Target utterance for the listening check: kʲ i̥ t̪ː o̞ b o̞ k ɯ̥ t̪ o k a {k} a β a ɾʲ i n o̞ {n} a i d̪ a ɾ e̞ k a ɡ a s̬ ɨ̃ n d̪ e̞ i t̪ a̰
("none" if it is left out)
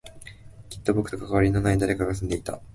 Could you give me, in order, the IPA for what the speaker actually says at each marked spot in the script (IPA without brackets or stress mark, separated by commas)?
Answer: k, n